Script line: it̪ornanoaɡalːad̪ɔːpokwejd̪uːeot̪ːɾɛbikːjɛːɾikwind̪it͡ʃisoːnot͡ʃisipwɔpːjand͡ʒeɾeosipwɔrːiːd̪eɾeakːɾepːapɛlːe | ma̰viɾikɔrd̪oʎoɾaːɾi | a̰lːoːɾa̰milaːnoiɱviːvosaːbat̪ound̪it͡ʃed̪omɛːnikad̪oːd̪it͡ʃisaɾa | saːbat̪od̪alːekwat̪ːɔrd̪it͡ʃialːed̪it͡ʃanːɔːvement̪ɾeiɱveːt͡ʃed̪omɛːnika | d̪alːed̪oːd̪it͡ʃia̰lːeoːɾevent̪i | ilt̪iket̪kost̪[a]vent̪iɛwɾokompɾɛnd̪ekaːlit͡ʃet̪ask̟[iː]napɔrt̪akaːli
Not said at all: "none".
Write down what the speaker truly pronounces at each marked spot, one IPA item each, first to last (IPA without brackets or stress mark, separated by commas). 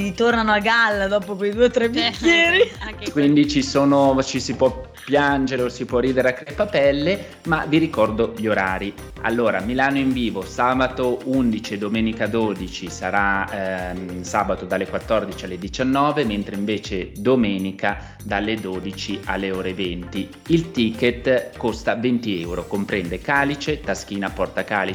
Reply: a, iː